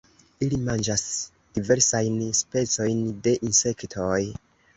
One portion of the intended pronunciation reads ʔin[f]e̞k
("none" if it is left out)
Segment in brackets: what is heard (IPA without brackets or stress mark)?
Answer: s